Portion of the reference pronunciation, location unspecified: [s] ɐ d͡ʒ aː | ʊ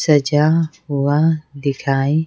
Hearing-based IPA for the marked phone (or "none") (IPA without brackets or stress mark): s